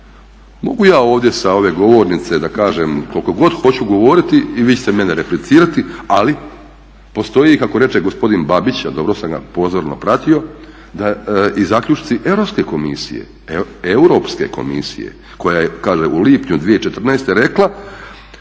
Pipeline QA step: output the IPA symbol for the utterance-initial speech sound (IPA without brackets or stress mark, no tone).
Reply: m